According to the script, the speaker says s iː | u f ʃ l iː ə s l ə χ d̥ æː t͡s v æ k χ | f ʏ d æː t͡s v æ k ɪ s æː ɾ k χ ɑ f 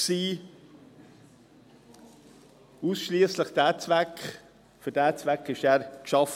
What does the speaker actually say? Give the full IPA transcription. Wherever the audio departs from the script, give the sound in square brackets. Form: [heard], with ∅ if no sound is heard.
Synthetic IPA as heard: s iː | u [s] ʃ l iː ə s l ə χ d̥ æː t͡s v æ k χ | f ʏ d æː t͡s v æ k ɪ [ʃ] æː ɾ k [ʃ] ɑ f